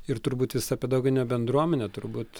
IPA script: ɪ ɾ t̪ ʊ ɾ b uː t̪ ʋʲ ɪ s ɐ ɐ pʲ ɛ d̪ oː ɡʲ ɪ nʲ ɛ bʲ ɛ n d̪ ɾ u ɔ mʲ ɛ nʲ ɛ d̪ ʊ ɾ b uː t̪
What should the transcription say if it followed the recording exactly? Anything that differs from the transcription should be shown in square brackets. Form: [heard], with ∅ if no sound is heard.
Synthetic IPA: ɪ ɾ t̪ ʊ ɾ b uː t̪ ʋʲ ɪ s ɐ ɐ pʲ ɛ d̪ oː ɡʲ ɪ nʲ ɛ bʲ ɛ n d̪ ɾ u ɔ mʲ ɛ nʲ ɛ [t̪] ʊ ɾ b uː t̪